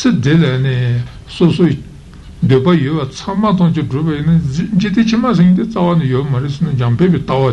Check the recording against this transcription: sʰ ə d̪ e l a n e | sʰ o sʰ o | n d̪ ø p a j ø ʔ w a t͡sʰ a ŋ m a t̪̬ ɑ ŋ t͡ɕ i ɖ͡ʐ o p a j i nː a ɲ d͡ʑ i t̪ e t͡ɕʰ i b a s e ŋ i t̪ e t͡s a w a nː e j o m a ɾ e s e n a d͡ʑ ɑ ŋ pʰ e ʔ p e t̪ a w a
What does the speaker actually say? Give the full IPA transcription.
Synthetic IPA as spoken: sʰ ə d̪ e l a n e | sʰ o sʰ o | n d̪ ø p a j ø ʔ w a t͡sʰ a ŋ m a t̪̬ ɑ ŋ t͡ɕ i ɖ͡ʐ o p a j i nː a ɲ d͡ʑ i t̪ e t͡ɕʰ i m a s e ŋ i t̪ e t͡s a w a n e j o m a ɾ e s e n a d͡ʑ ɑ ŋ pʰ e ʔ p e t̪ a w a